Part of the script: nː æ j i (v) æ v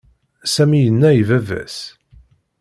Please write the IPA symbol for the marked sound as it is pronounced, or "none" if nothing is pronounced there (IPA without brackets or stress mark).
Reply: v